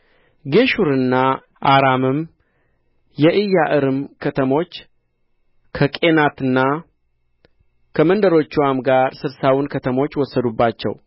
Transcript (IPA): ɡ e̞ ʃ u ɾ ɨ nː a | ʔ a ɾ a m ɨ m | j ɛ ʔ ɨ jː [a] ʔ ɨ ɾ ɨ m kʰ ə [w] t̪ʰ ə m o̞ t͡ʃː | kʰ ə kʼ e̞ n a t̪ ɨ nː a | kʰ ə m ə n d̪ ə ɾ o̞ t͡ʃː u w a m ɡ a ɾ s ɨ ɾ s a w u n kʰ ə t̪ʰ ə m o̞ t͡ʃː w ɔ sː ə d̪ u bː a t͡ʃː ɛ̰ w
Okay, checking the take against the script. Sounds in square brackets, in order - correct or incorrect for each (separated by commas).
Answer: correct, incorrect